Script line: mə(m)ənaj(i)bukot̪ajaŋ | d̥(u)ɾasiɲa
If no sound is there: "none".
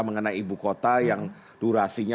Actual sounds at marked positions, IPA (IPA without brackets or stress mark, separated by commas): ŋ, i, u